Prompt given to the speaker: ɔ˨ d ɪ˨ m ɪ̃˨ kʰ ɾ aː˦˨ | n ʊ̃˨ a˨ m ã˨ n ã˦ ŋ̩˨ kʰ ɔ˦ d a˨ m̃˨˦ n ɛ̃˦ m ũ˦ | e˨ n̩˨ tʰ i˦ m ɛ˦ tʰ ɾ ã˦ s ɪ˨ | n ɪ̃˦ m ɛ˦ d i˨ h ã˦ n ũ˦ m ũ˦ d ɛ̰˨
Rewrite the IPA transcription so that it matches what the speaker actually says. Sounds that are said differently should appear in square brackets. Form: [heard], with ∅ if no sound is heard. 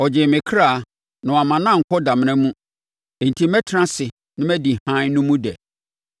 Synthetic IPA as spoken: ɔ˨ [d͡ʑ] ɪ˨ m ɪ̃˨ kʰ ɾ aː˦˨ | n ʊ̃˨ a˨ m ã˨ n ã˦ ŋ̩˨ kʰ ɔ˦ d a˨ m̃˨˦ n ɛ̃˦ m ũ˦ | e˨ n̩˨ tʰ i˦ m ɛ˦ tʰ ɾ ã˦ s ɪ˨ | n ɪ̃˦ m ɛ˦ d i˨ h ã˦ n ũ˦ m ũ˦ d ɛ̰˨